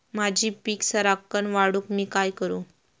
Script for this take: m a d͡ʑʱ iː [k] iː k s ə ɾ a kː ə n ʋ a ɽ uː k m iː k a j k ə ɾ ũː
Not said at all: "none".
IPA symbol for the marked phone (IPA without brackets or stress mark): p